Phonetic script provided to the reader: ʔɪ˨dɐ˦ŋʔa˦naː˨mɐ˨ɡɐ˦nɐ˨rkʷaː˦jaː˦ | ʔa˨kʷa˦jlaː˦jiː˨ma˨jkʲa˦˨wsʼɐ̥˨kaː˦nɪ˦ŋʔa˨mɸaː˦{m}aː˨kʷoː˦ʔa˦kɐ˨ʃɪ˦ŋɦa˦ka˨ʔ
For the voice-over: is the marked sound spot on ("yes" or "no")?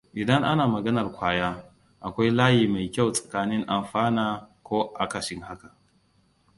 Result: no